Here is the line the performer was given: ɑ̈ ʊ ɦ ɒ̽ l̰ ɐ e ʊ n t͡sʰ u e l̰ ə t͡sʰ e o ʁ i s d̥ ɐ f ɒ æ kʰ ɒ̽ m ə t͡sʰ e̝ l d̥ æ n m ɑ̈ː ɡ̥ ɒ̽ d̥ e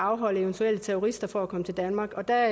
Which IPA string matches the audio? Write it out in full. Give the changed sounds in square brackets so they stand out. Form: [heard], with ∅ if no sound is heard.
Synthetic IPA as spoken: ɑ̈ ʊ ɦ ɒ̽ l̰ [ə] e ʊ n t͡sʰ u e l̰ ə t͡sʰ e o ʁ i s d̥ ɐ f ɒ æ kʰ ɒ̽ m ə t͡sʰ e̝ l d̥ æ n m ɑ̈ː ɡ̥ ɒ̽ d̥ [æ]